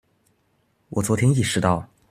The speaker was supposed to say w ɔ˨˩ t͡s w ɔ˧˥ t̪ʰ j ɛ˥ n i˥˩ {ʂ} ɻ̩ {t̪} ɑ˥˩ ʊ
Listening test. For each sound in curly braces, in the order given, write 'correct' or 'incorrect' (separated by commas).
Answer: correct, correct